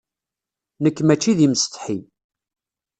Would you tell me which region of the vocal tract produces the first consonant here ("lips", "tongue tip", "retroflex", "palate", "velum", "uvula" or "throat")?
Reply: tongue tip